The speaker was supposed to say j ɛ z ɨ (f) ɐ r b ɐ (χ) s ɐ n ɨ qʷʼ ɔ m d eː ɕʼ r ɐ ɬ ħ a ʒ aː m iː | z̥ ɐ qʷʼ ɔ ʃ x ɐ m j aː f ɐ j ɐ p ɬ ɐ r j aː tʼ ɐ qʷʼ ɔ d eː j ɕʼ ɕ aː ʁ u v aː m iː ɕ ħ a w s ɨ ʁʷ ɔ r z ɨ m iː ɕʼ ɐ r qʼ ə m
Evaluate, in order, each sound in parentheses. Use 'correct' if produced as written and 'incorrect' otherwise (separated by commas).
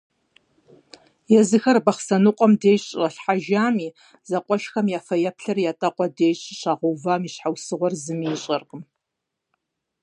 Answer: incorrect, correct